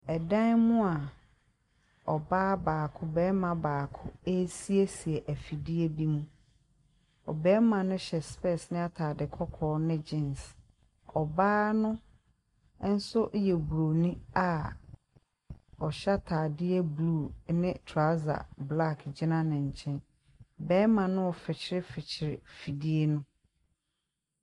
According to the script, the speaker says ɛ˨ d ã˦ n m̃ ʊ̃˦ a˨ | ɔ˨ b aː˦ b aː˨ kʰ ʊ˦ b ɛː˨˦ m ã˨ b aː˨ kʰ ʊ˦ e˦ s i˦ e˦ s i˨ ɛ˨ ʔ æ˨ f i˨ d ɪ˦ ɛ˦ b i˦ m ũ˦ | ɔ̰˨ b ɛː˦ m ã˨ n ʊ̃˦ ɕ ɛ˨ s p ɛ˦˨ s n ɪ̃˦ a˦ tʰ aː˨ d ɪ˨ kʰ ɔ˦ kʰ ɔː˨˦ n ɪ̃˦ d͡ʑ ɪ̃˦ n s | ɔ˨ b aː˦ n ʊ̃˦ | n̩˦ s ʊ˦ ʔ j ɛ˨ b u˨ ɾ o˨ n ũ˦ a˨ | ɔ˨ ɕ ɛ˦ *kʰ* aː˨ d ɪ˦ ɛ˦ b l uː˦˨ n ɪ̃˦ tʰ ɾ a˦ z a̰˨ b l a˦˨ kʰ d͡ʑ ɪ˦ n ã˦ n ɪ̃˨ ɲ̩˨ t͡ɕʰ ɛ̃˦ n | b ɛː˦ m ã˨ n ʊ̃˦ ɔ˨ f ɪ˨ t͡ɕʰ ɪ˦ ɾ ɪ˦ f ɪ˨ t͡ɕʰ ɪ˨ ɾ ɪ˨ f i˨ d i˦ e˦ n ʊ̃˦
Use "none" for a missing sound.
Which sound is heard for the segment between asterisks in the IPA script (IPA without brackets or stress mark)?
tʰ